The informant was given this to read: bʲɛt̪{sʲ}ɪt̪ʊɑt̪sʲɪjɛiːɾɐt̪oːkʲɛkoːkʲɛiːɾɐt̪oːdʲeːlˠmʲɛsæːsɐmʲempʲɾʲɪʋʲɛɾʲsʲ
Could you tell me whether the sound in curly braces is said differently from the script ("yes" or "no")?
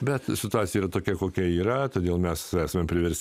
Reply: no